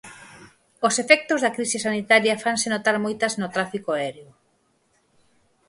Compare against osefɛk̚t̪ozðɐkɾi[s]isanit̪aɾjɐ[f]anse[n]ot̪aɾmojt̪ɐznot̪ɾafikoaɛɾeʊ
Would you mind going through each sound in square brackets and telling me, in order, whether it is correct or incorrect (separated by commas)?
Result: correct, correct, correct